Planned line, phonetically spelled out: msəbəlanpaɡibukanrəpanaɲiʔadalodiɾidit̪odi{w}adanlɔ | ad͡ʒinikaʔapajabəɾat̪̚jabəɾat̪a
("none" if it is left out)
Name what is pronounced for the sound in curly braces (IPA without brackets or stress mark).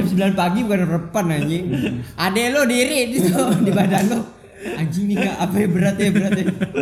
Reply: b